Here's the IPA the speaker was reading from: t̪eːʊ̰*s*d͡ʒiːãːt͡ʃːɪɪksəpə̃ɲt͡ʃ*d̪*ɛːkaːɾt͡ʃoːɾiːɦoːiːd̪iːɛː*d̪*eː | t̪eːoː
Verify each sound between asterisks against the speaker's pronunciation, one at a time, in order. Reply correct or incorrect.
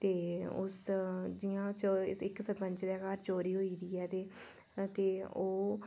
correct, correct, incorrect

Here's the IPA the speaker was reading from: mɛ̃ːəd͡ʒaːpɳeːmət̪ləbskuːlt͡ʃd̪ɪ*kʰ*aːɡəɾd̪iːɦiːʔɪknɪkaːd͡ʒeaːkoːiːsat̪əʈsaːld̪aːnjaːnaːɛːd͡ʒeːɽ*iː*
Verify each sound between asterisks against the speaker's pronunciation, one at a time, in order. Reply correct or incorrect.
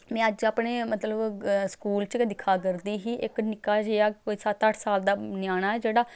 correct, incorrect

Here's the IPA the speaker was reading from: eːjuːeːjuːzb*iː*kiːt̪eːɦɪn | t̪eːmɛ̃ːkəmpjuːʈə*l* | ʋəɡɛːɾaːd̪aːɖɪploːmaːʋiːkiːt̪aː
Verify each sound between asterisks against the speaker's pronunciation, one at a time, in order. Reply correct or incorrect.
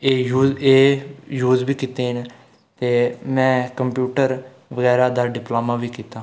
correct, incorrect

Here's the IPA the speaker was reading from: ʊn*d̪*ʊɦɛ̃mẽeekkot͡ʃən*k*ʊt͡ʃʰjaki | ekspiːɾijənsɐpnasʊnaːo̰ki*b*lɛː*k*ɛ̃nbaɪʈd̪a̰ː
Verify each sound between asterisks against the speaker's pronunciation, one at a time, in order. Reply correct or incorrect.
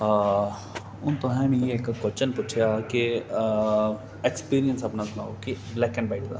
incorrect, incorrect, correct, correct

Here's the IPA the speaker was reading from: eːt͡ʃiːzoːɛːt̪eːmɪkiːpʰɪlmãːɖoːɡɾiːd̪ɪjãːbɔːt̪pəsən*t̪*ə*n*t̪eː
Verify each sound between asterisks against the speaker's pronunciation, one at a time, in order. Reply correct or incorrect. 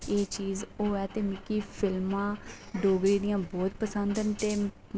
incorrect, correct

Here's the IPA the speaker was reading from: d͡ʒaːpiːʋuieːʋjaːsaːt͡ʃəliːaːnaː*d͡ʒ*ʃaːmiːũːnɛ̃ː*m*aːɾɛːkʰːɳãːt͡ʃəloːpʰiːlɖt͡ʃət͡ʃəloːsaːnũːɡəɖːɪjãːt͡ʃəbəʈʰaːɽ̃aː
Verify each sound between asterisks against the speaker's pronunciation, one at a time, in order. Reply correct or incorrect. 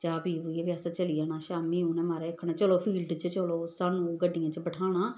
incorrect, correct

